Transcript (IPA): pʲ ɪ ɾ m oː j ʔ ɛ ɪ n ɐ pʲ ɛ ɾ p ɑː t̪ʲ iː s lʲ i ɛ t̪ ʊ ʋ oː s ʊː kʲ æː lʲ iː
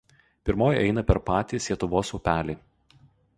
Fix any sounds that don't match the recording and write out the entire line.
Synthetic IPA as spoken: pʲ ɪ ɾ m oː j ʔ ɛ ɪ n ɐ pʲ ɛ ɾ p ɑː t̪ʲ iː s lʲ i ɛ t̪ ʊ ʋ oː s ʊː pʲ æː lʲ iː